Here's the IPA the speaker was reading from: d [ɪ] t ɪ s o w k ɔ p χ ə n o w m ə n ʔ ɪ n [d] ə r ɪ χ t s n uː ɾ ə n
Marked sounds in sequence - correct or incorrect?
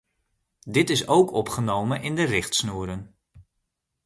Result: correct, correct

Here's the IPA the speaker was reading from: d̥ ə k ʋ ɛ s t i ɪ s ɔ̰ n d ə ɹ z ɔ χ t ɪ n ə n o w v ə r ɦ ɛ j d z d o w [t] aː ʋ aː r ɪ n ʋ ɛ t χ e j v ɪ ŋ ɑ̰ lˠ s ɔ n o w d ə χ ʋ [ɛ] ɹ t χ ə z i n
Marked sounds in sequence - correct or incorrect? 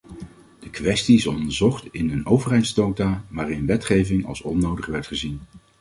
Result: correct, correct

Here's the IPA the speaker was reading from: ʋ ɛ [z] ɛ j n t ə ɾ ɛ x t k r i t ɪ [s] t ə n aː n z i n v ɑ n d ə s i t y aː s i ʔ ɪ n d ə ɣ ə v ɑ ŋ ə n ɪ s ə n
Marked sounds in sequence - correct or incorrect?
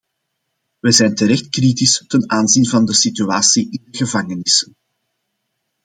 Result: correct, correct

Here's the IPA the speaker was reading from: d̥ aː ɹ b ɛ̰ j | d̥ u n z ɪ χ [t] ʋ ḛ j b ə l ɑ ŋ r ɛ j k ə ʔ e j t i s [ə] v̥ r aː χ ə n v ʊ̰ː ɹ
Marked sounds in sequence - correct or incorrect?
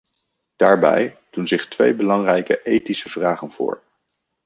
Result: correct, correct

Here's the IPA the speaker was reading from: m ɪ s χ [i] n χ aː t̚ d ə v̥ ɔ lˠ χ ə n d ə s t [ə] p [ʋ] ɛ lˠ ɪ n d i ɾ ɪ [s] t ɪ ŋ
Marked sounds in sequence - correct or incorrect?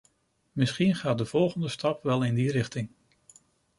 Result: correct, incorrect: ɑ, correct, incorrect: χ

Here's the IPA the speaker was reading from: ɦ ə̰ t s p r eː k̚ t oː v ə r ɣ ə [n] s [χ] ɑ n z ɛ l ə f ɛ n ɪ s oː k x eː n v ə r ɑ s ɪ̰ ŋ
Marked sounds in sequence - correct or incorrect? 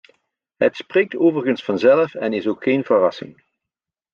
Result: correct, incorrect: f

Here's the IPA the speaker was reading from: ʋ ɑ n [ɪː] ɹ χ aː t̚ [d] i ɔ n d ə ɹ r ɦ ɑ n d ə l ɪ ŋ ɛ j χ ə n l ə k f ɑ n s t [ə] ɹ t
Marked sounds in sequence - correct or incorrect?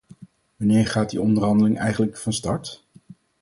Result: correct, correct, incorrect: ɑ

